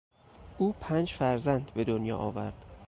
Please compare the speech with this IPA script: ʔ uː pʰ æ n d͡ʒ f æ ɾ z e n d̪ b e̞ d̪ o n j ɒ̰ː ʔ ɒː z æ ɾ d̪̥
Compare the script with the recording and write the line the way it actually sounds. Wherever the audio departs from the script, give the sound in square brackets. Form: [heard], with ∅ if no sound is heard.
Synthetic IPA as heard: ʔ uː pʰ æ n d͡ʒ f æ ɾ z [æ] n d̪ b e̞ d̪ o n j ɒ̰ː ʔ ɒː [v] æ ɾ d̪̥